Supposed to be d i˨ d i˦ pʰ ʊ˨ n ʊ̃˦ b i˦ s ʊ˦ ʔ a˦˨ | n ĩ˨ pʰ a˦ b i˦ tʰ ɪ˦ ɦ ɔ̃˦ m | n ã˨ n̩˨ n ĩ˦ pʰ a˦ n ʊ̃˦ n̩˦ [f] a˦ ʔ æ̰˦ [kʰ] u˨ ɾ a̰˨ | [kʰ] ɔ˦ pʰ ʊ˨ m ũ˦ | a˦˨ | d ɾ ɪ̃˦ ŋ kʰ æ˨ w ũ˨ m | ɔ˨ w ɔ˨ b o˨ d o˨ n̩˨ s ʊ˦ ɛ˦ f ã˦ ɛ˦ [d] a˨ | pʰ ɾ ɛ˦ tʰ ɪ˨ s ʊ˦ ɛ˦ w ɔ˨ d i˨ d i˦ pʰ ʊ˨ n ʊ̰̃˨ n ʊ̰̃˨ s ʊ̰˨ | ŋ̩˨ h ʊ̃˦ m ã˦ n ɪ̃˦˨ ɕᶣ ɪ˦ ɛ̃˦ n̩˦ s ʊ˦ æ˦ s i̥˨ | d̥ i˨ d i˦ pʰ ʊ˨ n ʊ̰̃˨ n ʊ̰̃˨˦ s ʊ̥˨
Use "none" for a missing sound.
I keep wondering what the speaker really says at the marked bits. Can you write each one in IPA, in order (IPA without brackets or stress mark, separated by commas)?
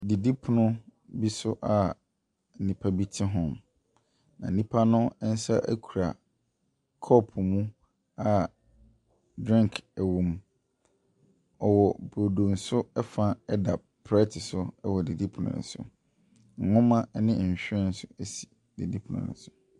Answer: s, kʰ, kʰ, d